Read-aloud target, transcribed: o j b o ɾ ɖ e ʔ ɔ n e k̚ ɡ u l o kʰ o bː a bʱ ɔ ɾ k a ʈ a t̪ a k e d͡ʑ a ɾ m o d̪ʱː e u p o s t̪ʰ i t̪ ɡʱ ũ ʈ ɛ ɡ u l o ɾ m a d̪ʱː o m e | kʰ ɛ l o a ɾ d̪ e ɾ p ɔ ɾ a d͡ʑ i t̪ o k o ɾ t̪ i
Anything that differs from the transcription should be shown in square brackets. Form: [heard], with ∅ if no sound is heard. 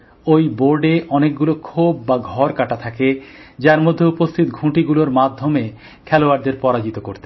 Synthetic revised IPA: o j b o ɾ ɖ e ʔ ɔ n e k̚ ɡ u l o kʰ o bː a [ɡʱ] ɔ ɾ k a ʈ a [t̪ʰ] a k e d͡ʑ a ɾ m o d̪ʱː e u p o s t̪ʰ i t̪ ɡʱ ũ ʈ [i] ɡ u l o ɾ m a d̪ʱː o m e | kʰ ɛ l o a ɾ d̪ e ɾ p ɔ ɾ a d͡ʑ i t̪ o k o ɾ t̪ [e]

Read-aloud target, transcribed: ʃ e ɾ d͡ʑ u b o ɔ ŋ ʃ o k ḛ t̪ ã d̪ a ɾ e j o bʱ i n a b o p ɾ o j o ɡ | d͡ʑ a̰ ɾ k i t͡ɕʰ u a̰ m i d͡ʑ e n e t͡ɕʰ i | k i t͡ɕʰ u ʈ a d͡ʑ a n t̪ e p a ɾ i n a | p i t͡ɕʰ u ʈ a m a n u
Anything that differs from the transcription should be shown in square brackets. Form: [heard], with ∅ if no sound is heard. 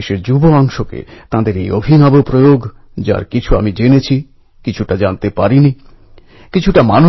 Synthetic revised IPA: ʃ e ɾ d͡ʑ u b o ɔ ŋ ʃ o k ḛ t̪ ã d̪ [e] ɾ e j o bʱ i n a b o p ɾ o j o ɡ | d͡ʑ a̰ ɾ k i t͡ɕʰ u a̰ m i d͡ʑ e n e t͡ɕʰ i | k i t͡ɕʰ u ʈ a d͡ʑ a n t̪ e p a ɾ i n [i] | [k] i t͡ɕʰ u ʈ a m a n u

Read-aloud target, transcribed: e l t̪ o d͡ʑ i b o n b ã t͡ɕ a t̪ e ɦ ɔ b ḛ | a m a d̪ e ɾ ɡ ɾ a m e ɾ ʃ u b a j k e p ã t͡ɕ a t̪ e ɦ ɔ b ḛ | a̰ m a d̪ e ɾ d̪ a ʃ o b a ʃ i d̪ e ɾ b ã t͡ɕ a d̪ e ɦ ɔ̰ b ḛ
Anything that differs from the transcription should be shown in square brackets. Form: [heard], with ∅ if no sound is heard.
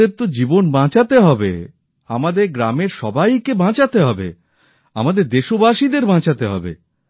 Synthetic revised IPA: e [ɾ] t̪ o d͡ʑ i b o n b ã t͡ɕ a t̪ e ɦ ɔ b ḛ | a m a d̪ e ɾ ɡ ɾ a m e ɾ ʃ [ɔ] b a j k e [b] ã t͡ɕ a t̪ e ɦ ɔ b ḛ | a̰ m a d̪ e ɾ d̪ [e] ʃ o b a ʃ i d̪ e ɾ b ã t͡ɕ a [t̪] e ɦ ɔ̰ b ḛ

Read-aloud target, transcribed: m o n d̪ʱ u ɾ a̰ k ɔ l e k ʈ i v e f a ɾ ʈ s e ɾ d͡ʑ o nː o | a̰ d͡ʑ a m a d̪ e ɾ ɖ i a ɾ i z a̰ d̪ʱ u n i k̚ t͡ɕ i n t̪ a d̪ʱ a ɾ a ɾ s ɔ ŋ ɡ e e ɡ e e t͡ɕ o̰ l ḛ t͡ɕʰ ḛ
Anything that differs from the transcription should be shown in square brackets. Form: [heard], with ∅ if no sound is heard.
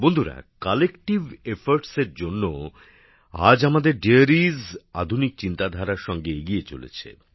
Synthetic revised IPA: [b] o n d̪ʱ u ɾ a̰ k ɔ l e k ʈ i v e f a ɾ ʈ s e ɾ d͡ʑ o nː o | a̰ d͡ʑ a m a d̪ e ɾ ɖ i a ɾ i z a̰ d̪ʱ u n i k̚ t͡ɕ i n t̪ a d̪ʱ a ɾ a ɾ [ʃ] ɔ ŋ ɡ e e ɡ [i] e t͡ɕ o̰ l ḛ t͡ɕʰ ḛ

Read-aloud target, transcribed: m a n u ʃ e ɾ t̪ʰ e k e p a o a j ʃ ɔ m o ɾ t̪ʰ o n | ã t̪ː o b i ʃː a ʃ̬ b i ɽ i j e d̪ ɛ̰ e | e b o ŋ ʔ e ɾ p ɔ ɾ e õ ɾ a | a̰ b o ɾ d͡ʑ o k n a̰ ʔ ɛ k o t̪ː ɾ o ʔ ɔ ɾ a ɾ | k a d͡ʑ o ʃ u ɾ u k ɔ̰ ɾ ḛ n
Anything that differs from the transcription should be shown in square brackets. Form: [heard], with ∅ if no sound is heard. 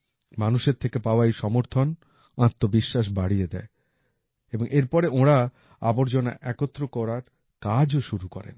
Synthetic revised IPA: m a n u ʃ e ɾ t̪ʰ e k e p a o a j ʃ ɔ m o ɾ t̪ʰ o n | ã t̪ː o b i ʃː a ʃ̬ b [a] ɽ i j e d̪ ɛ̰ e | e b o ŋ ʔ e ɾ p ɔ ɾ e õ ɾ a | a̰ b o ɾ d͡ʑ o [∅] n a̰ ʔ ɛ k o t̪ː ɾ o [k] ɔ ɾ a ɾ | k a d͡ʑ o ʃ u ɾ u k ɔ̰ ɾ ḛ n

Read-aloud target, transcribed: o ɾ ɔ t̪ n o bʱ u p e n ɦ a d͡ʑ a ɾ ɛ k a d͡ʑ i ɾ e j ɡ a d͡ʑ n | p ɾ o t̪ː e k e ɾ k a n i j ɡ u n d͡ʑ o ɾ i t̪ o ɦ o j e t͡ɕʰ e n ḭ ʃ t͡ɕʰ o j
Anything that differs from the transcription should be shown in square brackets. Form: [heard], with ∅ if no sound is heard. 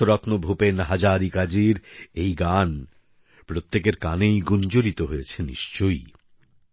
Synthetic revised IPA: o ɾ ɔ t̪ n o bʱ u p e n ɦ a d͡ʑ a ɾ [i] k a d͡ʑ i ɾ e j ɡ a [∅] n | p ɾ o t̪ː e k e ɾ k a n [e] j ɡ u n d͡ʑ o ɾ i t̪ o ɦ o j e t͡ɕʰ e n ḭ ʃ [t͡ɕ] o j

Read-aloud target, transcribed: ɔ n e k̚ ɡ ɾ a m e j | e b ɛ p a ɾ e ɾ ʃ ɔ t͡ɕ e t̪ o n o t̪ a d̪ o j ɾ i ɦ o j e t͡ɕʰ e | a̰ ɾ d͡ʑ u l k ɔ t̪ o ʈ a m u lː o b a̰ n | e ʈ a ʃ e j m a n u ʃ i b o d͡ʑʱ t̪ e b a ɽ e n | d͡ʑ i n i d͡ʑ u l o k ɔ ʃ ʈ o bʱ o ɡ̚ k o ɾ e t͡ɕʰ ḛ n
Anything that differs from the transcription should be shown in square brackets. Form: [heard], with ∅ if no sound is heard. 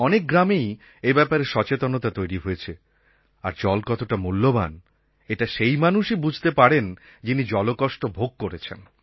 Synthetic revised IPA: ɔ n e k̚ ɡ ɾ a m e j | e b ɛ p a ɾ e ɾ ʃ ɔ t͡ɕ e t̪ o n o t̪ a [t̪] o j ɾ i ɦ o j e t͡ɕʰ e | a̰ ɾ d͡ʑ [ɔ] l k ɔ t̪ o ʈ a m u lː o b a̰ n | e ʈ a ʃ e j m a n u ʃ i b [u] d͡ʑʱ t̪ e [p] a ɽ e n | d͡ʑ i n i d͡ʑ [ɔ] l o k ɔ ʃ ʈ o bʱ o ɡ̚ k o ɾ e t͡ɕʰ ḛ n

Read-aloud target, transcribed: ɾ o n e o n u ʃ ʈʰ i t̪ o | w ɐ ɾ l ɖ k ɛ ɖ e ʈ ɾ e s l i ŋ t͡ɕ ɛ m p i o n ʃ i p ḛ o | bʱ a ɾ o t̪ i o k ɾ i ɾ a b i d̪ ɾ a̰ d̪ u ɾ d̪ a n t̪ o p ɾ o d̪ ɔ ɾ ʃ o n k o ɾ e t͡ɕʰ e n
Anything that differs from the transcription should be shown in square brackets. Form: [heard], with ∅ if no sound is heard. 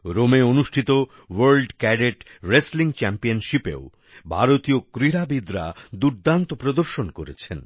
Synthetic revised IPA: ɾ o [m] e o n u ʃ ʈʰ i t̪ o | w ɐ ɾ l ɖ k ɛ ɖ e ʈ ɾ e s l i ŋ t͡ɕ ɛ m p i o n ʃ i p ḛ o | bʱ a ɾ o t̪ i o k ɾ i ɾ a b i d̪ ɾ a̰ d̪ u ɾ d̪ a n t̪ o p ɾ o d̪ [o] ɾ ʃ o n k o ɾ e t͡ɕʰ e n

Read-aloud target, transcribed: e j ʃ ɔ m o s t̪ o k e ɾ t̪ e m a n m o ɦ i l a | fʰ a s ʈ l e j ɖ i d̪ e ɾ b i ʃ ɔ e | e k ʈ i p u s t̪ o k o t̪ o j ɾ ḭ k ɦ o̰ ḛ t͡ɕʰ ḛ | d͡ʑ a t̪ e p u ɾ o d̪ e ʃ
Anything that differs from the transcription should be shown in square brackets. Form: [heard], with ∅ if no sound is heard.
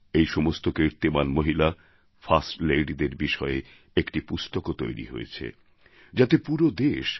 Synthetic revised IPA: e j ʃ ɔ m o s t̪ o k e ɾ t̪ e m a n m o ɦ i l a | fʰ a s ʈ l e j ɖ i d̪ e ɾ b i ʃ ɔ e | e k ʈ i p u s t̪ o k o t̪ o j ɾ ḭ [∅] ɦ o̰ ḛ t͡ɕʰ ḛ | d͡ʑ a t̪ e p u ɾ o d̪ e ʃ

